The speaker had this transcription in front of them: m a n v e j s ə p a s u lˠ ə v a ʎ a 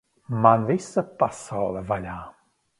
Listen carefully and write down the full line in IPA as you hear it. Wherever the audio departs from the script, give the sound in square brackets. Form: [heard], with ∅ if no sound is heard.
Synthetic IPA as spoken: m a n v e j s ə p a s [ɔ] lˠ ə v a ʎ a